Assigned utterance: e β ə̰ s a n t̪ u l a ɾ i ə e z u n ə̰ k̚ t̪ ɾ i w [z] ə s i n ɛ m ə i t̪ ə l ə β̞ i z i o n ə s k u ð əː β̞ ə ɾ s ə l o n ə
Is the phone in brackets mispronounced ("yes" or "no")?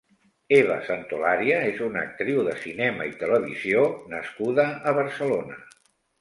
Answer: yes